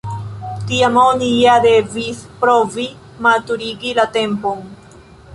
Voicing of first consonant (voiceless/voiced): voiceless